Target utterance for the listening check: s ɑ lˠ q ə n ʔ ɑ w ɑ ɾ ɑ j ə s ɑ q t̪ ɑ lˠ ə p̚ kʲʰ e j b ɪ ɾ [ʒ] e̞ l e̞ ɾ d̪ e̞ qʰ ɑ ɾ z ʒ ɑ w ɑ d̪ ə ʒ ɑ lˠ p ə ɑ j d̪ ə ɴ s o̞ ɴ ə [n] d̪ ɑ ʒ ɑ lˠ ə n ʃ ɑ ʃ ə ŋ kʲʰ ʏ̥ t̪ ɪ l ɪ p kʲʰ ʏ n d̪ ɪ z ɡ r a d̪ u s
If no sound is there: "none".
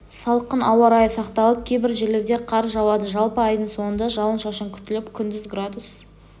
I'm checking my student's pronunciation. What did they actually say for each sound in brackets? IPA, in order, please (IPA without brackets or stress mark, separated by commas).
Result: ʒ, n